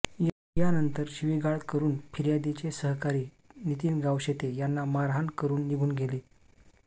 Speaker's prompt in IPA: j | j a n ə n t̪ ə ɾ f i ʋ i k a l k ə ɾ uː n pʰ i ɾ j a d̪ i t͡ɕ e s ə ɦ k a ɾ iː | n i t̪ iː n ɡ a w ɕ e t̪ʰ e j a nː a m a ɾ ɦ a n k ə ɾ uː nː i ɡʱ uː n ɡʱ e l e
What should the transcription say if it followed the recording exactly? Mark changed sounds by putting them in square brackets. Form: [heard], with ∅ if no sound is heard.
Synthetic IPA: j | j a n ə n t̪ ə ɾ [ɕ] i ʋ i [ɡ] a [ɭ] k ə ɾ uː n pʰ i ɾ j a d̪ i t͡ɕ e s ə ɦ k a ɾ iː | n i t̪ iː n ɡ a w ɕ e [t̪] e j a nː a m a ɾ ɦ a n k ə ɾ uː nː i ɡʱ uː n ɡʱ e l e